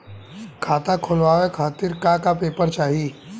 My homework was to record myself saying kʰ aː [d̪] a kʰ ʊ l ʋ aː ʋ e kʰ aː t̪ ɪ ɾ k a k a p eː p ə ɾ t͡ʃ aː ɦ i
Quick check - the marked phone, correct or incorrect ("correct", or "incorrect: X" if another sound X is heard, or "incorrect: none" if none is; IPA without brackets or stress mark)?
incorrect: t̪